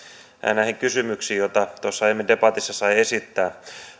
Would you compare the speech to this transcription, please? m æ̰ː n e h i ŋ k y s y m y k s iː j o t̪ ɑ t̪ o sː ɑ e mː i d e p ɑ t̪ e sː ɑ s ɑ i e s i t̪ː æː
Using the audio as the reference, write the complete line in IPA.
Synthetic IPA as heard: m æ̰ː n æ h i ŋ k y s y m y k s iː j o t̪ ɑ t̪ o sː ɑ e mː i d e p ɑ t̪ i sː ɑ s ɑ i e s i t̪ː æː